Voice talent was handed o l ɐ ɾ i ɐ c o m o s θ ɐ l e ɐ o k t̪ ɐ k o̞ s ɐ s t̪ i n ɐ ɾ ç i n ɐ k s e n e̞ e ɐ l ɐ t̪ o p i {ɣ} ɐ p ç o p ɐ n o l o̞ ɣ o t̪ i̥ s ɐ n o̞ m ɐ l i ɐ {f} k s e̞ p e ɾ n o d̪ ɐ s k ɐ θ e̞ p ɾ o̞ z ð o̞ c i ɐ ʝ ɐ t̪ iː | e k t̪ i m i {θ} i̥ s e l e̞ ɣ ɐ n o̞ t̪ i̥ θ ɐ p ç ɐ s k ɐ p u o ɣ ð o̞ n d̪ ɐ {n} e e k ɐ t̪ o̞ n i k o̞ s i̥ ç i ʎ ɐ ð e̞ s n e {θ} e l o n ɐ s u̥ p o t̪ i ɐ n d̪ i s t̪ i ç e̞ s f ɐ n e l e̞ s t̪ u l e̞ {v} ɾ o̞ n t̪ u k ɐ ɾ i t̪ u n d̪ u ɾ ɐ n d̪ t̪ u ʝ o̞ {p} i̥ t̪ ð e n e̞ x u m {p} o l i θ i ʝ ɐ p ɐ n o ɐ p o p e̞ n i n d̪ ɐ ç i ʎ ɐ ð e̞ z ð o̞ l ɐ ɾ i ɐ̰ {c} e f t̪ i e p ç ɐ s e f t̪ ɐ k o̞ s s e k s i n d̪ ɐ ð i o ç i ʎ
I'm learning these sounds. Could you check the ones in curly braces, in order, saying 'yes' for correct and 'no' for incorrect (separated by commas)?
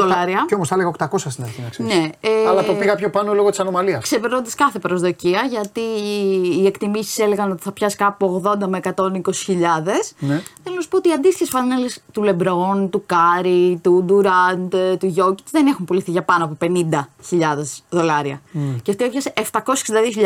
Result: yes, no, no, no, yes, no, no, yes, yes